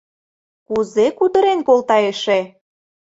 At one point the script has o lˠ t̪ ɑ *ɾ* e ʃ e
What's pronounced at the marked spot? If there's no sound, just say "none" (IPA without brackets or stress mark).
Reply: none